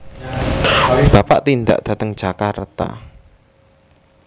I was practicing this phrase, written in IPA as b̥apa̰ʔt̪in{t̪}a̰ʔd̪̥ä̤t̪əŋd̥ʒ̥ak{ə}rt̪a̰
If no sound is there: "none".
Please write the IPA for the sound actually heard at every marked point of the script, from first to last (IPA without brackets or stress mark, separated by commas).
d̪, a